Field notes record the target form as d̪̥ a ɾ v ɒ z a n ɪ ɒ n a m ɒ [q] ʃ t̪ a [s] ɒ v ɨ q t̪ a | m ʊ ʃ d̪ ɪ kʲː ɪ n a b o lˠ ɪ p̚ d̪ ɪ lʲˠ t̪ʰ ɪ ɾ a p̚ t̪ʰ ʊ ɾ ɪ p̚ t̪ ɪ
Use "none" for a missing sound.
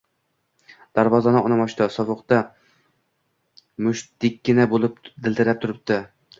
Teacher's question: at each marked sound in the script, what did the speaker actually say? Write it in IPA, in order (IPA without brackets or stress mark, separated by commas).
none, s